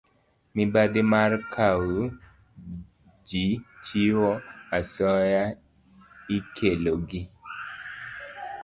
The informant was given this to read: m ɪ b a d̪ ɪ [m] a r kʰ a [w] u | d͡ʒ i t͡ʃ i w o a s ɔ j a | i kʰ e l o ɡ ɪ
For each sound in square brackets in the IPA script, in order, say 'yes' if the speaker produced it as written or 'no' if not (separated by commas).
yes, yes